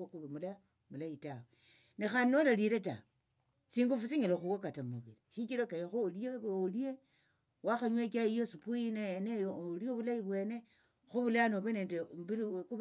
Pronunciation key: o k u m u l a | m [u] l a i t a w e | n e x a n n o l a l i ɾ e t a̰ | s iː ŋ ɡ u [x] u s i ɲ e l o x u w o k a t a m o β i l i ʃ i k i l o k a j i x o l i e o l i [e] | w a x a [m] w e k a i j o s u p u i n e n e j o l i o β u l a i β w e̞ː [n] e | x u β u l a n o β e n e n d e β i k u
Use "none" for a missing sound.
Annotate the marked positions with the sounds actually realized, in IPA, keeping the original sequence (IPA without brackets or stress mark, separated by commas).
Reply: u, f, e, ɲ, n